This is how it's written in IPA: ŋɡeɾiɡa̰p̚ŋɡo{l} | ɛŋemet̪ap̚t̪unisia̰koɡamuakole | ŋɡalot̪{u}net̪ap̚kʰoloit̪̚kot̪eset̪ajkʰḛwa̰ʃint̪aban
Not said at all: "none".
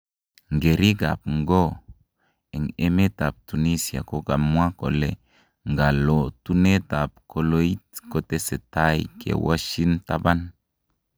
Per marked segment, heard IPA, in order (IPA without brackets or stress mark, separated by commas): none, u